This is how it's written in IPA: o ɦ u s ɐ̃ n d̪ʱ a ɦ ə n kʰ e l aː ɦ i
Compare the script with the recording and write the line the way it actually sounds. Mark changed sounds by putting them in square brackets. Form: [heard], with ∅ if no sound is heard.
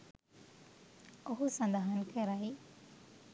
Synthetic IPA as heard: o ɦ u s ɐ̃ n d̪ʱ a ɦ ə n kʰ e [ɾ] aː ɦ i